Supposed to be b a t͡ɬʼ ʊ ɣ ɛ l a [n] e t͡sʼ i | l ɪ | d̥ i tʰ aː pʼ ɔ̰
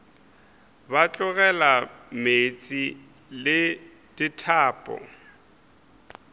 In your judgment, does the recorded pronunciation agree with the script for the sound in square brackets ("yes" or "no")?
no